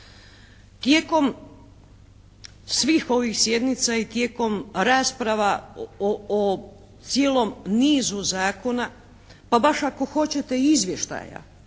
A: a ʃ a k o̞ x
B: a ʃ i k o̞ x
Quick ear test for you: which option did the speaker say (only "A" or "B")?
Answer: A